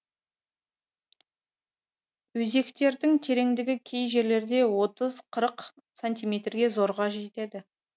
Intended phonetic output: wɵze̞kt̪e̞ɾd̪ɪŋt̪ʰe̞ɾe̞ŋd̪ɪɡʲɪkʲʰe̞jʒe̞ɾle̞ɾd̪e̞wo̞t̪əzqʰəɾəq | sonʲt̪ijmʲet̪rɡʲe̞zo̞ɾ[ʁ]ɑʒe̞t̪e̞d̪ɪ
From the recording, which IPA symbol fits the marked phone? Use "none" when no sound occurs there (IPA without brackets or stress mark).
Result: ʁ